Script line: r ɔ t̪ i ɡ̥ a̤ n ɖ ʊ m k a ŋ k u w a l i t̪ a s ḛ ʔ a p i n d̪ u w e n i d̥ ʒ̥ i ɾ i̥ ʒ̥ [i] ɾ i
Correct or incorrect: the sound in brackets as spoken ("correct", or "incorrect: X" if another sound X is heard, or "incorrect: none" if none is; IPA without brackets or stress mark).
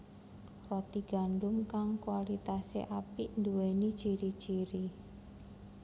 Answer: correct